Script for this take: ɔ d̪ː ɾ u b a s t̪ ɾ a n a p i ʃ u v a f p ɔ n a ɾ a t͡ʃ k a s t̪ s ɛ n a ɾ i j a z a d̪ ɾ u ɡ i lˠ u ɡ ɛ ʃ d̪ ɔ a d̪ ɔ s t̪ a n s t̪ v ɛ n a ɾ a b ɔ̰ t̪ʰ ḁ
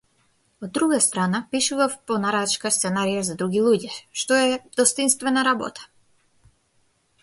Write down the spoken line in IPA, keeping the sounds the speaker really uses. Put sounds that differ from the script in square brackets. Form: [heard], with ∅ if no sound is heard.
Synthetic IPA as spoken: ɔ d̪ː ɾ u [ɡ] a s t̪ ɾ a n a p i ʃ u v a f p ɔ n a ɾ a t͡ʃ k a s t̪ s ɛ n a ɾ i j a z a d̪ ɾ u ɡ i lˠ u [ɟ] ɛ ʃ [t̪] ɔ [ɛ] d̪ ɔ s t̪ [i] n s t̪ v ɛ n a ɾ a b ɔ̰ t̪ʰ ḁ